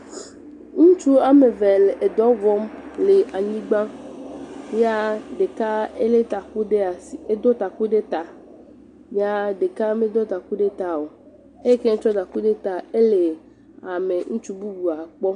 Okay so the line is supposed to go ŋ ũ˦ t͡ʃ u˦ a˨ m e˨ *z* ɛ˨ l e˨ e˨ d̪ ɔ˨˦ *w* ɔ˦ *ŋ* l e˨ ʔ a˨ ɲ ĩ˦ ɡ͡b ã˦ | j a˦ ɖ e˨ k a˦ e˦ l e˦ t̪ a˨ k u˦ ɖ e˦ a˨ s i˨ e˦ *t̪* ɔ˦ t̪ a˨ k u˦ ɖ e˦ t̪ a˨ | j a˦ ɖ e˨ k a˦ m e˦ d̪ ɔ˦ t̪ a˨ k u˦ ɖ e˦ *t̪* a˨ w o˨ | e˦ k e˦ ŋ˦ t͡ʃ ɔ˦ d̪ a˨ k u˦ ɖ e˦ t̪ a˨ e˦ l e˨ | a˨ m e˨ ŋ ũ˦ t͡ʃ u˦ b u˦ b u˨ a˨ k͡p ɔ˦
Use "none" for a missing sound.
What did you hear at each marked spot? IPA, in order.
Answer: v, v, m, d̪, t̪

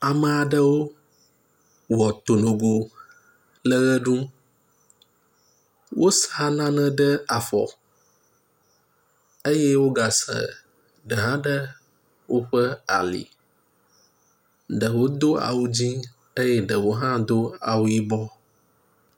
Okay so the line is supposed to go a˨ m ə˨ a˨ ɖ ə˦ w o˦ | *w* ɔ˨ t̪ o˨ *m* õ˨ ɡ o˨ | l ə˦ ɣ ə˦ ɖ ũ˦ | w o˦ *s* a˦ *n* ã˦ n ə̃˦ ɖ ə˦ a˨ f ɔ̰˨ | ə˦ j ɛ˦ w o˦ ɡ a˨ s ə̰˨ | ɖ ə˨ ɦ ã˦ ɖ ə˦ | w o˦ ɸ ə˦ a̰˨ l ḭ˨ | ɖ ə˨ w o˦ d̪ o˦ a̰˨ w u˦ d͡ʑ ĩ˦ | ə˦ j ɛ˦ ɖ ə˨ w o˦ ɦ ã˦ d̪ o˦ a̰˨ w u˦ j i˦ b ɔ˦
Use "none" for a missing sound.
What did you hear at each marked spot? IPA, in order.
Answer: w, n, s, n

